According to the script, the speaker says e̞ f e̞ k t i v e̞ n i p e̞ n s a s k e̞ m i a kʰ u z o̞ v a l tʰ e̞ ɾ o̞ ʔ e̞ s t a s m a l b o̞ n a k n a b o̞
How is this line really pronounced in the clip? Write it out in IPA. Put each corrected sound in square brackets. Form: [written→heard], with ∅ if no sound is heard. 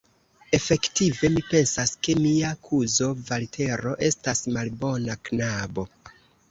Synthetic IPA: e̞ f e̞ k t i v e̞ [n→m] i p e̞ n s a s k e̞ m i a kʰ u z o̞ v a l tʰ e̞ ɾ o̞ ʔ e̞ s t a s m a l b o̞ n a k n a b o̞